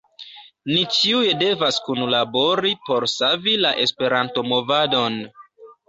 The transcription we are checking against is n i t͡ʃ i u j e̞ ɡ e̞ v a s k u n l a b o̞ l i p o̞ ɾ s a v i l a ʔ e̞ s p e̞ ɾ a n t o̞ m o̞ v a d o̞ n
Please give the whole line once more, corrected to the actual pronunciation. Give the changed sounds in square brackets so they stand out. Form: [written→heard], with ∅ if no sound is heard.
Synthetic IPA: n i t͡ʃ i u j e̞ [ɡ→d] e̞ v a s k u n l a b o̞ [l→ɾ] i p o̞ ɾ s a v i l a ʔ e̞ s p e̞ ɾ a n t o̞ m o̞ v a d o̞ n